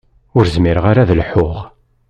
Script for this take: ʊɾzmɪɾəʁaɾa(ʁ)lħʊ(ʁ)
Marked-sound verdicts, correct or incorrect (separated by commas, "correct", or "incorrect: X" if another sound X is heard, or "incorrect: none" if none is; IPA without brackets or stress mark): incorrect: ð, correct